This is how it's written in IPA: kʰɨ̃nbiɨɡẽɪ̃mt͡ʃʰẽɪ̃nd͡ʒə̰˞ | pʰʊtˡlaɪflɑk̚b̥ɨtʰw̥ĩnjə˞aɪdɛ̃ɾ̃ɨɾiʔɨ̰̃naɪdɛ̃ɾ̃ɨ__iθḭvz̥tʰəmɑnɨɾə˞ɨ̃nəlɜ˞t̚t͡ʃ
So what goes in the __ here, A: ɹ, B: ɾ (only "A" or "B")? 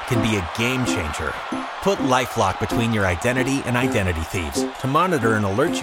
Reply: B